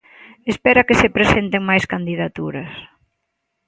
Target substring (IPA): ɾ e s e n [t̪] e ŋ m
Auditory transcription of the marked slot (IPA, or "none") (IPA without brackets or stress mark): t̪